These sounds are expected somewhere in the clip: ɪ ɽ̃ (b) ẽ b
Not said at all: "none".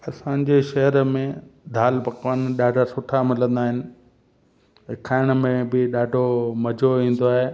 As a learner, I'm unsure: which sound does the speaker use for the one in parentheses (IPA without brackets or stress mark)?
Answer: m